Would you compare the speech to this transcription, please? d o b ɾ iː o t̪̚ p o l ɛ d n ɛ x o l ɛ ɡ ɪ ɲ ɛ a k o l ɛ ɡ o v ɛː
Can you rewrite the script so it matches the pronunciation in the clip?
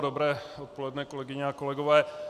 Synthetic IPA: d o b ɾ ɛː o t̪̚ p o l ɛ d n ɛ k o l ɛ ɡ ɪ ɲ ɛ a k o l ɛ ɡ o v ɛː